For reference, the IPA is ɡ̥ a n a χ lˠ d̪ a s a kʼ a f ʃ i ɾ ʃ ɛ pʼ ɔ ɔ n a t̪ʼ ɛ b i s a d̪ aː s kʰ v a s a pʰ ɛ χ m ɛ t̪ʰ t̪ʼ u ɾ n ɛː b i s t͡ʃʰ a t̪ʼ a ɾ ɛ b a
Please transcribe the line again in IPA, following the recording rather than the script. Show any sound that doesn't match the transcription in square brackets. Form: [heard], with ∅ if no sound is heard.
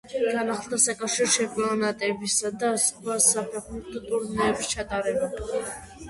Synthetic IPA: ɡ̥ a n a χ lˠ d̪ a s a kʼ a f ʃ i ɾ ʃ ɛ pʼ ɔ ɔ n a t̪ʼ ɛ b i s a d̪ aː s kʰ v a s a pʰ ɛ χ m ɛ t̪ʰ t̪ʼ u ɾ n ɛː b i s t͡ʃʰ a t̪ʼ a ɾ ɛ b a